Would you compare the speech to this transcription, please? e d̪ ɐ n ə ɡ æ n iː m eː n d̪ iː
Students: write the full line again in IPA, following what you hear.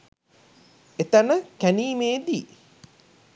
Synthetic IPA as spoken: e t̪ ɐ n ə k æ n iː m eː d̪ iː

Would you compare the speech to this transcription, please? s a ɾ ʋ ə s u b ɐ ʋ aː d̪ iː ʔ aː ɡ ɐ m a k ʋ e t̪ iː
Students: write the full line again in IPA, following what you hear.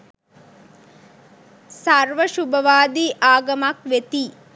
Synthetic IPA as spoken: s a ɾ ʋ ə ʃ u b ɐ ʋ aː d̪ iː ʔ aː ɡ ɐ m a k ʋ e t̪ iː

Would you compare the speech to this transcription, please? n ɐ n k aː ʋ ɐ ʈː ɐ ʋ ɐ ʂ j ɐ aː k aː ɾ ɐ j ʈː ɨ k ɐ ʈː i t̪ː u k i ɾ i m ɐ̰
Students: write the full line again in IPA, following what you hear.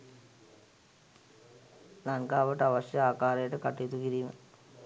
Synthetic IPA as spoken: n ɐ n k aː ʋ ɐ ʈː ɐ ʋ ɐ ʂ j ɐ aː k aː ɾ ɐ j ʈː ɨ k ɐ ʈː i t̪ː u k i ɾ i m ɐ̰

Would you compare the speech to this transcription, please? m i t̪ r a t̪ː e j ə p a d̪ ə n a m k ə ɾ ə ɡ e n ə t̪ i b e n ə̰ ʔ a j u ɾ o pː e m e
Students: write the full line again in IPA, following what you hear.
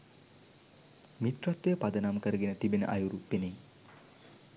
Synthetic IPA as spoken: m i t̪ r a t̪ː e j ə p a d̪ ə n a m k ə ɾ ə ɡ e n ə t̪ i b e n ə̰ ʔ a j u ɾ u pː e n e

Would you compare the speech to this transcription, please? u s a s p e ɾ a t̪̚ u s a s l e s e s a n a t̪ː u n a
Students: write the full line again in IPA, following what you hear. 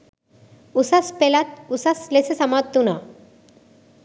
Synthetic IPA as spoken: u s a s p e l a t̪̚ u s a s l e s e s a m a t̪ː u n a

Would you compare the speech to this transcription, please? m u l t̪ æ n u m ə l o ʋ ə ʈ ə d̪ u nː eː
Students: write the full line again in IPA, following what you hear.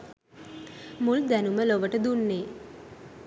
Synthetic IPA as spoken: m u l d̪ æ n u m ə l o ʋ ə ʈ ə d̪ u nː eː

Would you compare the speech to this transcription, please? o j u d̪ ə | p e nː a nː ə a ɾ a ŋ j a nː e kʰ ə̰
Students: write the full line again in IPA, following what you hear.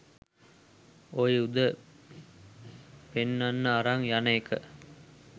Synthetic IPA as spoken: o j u d̪ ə | p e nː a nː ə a ɾ a ŋ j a n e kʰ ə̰

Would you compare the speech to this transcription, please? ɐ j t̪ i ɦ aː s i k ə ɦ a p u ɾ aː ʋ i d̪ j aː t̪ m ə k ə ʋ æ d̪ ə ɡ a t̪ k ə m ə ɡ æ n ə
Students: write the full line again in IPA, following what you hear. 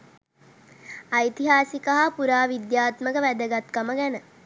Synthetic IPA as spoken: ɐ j t̪ i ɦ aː s i k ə ɦ a p u ɾ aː ʋ i d̪ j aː t̪ m ə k ə ʋ æ d̪ ə ɡ a t̪ k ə m ə ɡ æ n ə

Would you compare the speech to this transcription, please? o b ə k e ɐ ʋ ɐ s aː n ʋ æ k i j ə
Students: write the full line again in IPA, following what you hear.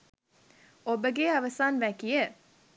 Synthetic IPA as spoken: o b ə ɡ e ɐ ʋ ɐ s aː n ʋ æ k i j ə

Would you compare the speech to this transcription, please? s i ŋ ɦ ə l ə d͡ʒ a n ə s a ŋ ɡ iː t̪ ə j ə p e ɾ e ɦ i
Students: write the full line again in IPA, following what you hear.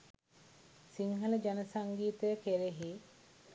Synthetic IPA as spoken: s i ŋ ɦ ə l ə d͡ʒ a n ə s a ŋ ɡ iː t̪ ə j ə k e ɾ e ɦ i

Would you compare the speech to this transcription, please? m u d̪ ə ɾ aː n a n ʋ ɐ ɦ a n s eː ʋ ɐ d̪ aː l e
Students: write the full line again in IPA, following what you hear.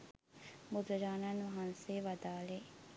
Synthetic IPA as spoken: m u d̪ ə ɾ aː n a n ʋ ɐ ɦ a n s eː ʋ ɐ d̪ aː l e

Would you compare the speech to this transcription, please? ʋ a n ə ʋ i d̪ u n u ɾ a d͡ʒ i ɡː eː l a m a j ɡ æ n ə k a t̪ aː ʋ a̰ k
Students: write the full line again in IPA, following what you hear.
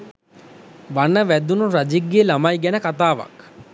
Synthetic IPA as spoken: ʋ a n ə ʋ æ d̪ u n u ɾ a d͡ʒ i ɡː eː l a m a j ɡ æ n ə k a t̪ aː ʋ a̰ k

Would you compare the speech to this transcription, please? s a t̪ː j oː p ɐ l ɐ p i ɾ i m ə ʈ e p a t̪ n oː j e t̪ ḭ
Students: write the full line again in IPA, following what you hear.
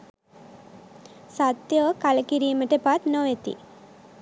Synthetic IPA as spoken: s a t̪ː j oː k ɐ l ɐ k i ɾ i m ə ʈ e p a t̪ n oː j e t̪ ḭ

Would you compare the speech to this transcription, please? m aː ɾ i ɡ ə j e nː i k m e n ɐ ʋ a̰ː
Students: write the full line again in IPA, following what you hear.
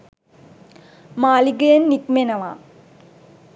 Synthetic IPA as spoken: m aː l i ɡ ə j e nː i k m e n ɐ ʋ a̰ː

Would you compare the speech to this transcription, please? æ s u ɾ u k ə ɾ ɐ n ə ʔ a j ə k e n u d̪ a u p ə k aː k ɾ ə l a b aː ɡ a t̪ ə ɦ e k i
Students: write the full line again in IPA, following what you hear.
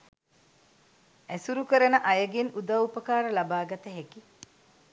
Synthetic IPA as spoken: æ s u ɾ u k ə ɾ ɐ n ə ʔ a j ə ɡ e n u d̪ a u p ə k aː ɾ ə l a b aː ɡ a t̪ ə ɦ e k i

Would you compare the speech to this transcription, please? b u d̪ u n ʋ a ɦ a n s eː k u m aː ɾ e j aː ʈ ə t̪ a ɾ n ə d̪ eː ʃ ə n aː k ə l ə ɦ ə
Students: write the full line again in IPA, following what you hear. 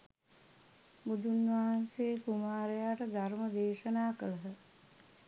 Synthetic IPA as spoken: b u d̪ u n ʋ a ɦ a n s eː k u m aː ɾ e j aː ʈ ə d̪ a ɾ m ə d̪ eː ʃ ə n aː k ə l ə ɦ ə

